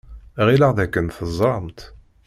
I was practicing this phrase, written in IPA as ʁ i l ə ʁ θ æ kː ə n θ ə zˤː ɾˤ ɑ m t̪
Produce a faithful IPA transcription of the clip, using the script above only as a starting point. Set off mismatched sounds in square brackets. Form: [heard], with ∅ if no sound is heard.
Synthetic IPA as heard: ʁ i l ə ʁ [ð] æ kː ə n θ ə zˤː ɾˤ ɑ m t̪

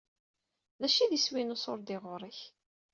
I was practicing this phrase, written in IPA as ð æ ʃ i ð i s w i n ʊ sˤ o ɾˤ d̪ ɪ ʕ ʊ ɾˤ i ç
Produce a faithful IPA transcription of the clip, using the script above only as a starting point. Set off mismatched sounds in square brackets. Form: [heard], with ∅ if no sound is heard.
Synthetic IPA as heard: ð æ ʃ i ð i s w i n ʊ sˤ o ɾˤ d̪ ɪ [ʁ] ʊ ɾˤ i ç

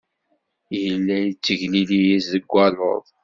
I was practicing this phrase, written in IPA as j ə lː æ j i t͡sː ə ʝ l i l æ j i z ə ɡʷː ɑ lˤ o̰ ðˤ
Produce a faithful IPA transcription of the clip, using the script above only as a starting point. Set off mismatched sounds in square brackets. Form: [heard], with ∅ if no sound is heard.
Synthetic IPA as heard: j ə lː æ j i t͡sː ə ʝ l i l [i] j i z ə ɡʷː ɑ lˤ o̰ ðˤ

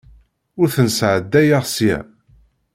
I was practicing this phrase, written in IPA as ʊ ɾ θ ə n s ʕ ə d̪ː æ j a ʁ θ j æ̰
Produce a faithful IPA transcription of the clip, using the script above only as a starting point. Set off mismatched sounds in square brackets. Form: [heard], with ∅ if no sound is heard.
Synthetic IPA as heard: ʊ ɾ θ ə n s ʕ ə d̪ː æ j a ʁ [s] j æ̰

